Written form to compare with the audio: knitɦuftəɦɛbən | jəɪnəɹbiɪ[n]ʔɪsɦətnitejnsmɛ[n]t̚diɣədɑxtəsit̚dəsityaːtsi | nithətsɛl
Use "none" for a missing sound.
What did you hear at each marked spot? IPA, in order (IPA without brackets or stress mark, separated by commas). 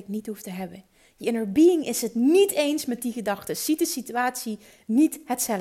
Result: ŋ, none